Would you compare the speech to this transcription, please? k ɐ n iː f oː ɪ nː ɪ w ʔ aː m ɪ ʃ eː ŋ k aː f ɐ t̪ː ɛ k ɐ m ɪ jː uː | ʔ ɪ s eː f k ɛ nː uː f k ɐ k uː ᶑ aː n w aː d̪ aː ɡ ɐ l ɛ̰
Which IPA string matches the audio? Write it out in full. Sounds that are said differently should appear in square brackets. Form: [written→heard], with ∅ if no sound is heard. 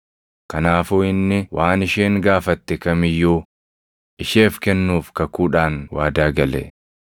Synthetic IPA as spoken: k ɐ n [iː→aː] f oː ɪ nː ɪ w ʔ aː [m→n] ɪ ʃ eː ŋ [k→ɡ] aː f ɐ t̪ː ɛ k ɐ m ɪ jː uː | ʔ ɪ [s→ʃ] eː f k ɛ nː uː f k ɐ k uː ᶑ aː n w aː d̪ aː ɡ ɐ l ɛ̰